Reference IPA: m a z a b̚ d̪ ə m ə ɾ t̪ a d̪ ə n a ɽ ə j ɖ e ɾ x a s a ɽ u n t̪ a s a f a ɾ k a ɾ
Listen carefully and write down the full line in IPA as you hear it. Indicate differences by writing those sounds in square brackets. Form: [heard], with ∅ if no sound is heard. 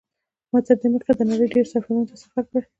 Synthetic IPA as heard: m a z a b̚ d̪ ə m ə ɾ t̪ a d̪ ə n a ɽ ə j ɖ e ɾ [s] a [f] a [ɾ] u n t̪ a s a f a ɾ k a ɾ